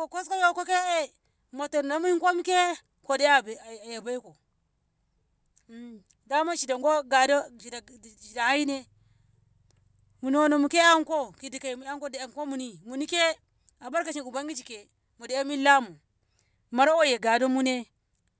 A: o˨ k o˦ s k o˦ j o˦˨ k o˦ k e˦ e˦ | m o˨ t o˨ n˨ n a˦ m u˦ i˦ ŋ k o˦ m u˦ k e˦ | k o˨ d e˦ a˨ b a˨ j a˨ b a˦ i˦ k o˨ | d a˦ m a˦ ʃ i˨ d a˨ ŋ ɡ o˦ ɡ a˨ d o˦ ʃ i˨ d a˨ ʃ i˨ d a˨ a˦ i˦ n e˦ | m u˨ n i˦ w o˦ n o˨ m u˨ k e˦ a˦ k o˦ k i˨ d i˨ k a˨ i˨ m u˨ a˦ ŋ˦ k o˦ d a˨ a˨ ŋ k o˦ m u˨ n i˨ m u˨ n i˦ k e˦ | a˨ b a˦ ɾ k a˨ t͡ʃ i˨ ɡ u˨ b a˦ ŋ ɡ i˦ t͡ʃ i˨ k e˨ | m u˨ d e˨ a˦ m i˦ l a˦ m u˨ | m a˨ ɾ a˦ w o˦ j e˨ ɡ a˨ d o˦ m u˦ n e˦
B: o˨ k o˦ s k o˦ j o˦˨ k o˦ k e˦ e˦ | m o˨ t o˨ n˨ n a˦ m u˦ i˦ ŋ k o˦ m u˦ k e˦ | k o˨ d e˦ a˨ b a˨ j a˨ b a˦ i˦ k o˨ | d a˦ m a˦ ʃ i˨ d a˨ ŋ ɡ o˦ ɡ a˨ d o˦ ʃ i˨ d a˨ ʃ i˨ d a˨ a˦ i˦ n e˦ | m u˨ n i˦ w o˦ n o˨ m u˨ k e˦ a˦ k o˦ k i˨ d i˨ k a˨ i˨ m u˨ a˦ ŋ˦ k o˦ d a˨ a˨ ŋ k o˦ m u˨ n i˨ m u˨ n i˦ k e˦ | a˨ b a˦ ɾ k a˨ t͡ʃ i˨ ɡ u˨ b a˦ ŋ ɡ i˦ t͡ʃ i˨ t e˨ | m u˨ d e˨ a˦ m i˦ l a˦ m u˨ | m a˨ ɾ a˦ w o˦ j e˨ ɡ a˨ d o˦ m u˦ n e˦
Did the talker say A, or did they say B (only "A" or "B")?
A